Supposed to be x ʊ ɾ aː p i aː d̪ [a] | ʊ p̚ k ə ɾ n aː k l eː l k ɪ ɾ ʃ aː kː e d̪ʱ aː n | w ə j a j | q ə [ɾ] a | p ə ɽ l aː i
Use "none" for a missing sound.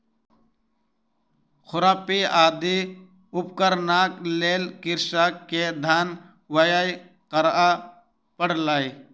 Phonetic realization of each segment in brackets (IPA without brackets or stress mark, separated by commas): i, ɾ